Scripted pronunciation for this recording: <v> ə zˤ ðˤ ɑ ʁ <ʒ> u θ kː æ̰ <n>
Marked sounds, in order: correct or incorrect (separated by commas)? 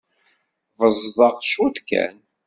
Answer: correct, incorrect, correct